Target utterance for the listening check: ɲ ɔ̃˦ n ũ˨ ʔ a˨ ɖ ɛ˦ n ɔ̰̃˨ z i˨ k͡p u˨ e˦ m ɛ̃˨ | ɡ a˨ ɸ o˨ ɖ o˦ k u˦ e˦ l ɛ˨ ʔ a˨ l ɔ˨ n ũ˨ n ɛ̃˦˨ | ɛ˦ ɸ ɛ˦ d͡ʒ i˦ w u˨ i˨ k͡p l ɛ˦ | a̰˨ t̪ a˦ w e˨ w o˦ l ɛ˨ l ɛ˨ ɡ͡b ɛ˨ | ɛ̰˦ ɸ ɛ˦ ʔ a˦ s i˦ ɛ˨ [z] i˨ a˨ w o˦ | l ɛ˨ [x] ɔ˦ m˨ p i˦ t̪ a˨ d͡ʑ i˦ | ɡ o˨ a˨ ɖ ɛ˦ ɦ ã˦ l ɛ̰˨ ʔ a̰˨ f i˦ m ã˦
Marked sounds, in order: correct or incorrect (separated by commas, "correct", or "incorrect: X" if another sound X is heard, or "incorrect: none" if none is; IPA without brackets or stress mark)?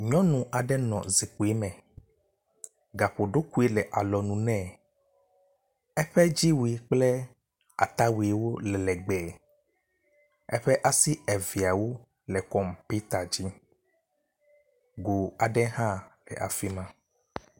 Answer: incorrect: v, incorrect: k